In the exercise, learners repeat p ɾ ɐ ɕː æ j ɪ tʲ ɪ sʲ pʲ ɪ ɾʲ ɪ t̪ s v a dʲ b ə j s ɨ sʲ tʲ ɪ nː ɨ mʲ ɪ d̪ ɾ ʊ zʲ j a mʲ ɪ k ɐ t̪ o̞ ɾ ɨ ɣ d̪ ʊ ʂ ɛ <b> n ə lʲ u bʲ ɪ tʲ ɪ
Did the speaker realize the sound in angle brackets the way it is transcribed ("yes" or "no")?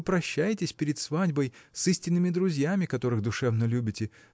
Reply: no